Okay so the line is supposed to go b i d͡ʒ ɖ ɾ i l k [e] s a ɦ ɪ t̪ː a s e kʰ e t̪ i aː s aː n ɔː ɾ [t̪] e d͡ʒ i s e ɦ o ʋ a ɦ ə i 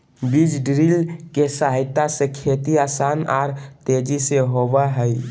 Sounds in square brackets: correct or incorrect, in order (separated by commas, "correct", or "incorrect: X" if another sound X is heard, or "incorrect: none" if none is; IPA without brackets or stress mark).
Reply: correct, correct